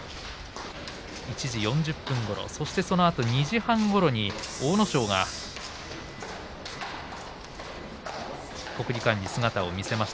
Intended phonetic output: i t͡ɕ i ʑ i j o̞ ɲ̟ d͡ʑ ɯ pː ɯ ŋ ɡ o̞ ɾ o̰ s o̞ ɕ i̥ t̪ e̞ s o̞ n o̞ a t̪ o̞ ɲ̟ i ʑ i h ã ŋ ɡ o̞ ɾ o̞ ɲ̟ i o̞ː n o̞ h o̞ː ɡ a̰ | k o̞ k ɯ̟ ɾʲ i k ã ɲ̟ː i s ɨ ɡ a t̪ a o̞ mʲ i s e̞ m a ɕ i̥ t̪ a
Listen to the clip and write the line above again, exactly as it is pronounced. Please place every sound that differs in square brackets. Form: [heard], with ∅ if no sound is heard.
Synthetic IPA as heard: i t͡ɕ i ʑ i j [õ̞] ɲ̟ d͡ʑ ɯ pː [ɯ̃] ŋ ɡ o̞ ɾ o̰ s o̞ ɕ i̥ t̪ e̞ s o̞ n o̞ a t̪ o̞ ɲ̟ i ʑ i h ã ŋ ɡ o̞ ɾ o̞ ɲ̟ i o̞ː n o̞ [ɕ] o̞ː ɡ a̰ | k o̞ k ɯ̟ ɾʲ i k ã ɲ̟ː i s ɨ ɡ a t̪ a o̞ mʲ i s e̞ m a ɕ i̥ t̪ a

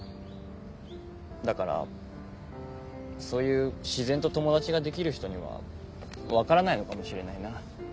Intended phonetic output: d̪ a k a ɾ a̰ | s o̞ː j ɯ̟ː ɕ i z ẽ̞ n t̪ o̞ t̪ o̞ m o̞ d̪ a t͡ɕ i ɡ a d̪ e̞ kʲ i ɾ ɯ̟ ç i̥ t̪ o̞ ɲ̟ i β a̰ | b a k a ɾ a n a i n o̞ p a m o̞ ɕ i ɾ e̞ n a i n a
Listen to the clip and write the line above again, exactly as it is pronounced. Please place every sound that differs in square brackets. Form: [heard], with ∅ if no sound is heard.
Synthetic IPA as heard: d̪ a k a ɾ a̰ | s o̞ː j ɯ̟ː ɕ i z ẽ̞ n t̪ o̞ t̪ o̞ m o̞ d̪ a t͡ɕ i ɡ a d̪ e̞ kʲ i ɾ ɯ̟ ç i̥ t̪ o̞ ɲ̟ i β a̰ | [β] a k a ɾ a n a i n o̞ [k] a m o̞ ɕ i ɾ e̞ n a i n a

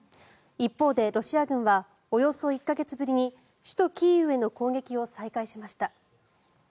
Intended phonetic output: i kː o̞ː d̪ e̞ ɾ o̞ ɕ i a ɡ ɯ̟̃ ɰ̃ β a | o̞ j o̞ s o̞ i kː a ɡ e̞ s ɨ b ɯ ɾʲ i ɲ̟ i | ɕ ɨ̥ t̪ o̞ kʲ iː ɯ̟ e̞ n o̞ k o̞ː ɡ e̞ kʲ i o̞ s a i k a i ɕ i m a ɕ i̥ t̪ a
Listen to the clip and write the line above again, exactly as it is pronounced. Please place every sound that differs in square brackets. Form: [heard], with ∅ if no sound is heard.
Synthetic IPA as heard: i [pː] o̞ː d̪ e̞ ɾ o̞ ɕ i a ɡ ɯ̟̃ ɰ̃ β a | o̞ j o̞ s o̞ i kː a ɡ e̞ [t͡s] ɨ b ɯ ɾʲ i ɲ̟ i | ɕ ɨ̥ t̪ o̞ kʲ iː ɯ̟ e̞ n o̞ k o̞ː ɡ e̞ kʲ i o̞ s a i k a i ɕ i m a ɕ i̥ t̪ a

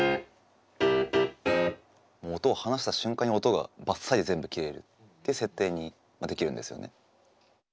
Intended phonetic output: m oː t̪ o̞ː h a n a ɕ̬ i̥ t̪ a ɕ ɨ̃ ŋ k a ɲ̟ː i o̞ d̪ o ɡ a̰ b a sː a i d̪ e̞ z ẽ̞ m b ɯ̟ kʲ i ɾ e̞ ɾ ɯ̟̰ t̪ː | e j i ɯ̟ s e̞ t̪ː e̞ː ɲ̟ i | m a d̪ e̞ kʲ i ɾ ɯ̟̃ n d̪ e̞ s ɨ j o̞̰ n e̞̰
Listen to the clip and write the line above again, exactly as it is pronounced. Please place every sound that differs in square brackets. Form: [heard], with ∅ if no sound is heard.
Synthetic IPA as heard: m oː t̪ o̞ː h a n a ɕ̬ i̥ t̪ a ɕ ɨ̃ ŋ k a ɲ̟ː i o̞ [t̪] o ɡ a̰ b a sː a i d̪ e̞ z ẽ̞ m b ɯ̟ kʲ i ɾ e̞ ɾ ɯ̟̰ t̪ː | e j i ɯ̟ s e̞ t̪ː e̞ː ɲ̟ i | m a d̪ e̞ kʲ i ɾ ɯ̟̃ n d̪ e̞ s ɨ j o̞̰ n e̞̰

